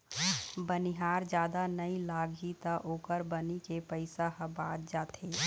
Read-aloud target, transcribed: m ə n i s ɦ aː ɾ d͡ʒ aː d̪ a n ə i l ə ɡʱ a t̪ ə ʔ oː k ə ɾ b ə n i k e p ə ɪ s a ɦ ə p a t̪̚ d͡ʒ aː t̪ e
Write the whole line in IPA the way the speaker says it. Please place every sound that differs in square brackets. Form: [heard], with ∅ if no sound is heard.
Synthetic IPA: [b] ə n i [∅] ɦ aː ɾ d͡ʒ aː d̪ a n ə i l [a] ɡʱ [i] t̪ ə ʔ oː k ə ɾ b ə n i k e p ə ɪ s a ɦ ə [b] a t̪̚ d͡ʒ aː t̪ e